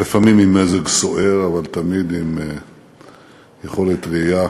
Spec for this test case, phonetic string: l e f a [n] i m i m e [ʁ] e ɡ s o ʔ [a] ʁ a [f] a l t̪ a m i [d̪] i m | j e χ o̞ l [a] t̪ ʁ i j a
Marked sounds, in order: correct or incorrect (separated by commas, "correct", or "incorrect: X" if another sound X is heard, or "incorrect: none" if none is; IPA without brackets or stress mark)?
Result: incorrect: m, incorrect: z, incorrect: e, incorrect: v, correct, incorrect: e